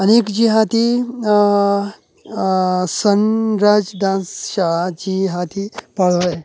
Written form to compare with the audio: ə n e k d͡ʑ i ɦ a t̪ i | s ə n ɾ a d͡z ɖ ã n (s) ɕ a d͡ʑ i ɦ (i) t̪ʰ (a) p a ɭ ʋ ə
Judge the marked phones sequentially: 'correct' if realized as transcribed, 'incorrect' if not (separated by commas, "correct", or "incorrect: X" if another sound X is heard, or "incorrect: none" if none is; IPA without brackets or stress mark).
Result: correct, incorrect: a, incorrect: i